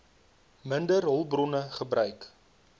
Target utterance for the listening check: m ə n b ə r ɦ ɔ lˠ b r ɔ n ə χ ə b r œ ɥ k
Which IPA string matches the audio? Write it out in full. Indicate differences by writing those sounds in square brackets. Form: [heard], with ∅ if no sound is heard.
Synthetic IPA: m ə n [d] ə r ɦ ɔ lˠ b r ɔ n ə χ ə b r œ ɥ k